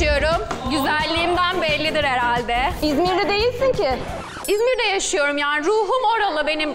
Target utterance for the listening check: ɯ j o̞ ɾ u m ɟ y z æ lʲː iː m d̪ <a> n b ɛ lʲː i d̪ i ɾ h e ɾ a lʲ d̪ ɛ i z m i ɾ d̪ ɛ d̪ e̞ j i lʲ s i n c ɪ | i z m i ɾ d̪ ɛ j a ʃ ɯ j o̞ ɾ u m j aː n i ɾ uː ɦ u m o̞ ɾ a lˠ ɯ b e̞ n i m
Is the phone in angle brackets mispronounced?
yes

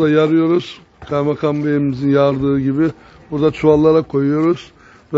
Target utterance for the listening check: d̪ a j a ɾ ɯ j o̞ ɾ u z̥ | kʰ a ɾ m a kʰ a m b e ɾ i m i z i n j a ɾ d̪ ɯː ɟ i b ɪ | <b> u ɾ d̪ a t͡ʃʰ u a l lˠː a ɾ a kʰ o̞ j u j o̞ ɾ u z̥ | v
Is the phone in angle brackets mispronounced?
no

